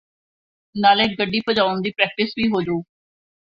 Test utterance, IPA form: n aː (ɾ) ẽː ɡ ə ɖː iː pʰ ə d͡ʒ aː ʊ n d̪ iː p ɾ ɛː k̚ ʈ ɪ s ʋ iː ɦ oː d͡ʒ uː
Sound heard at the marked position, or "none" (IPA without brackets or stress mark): l